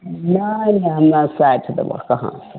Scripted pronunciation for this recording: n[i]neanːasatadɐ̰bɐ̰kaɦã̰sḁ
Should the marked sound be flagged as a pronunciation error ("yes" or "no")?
yes